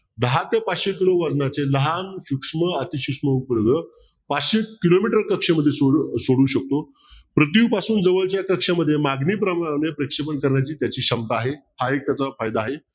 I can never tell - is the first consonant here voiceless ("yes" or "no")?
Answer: no